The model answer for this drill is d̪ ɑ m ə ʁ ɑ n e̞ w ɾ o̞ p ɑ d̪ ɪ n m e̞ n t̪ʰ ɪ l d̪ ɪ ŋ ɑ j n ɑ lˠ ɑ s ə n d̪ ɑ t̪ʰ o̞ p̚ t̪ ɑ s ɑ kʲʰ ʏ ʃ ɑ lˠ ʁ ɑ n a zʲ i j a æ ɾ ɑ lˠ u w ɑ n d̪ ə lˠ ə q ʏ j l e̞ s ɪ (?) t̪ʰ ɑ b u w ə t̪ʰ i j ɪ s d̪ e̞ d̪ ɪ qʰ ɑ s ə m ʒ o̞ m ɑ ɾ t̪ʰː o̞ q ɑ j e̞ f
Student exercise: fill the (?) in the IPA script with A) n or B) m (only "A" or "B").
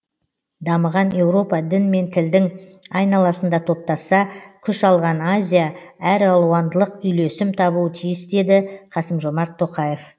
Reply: B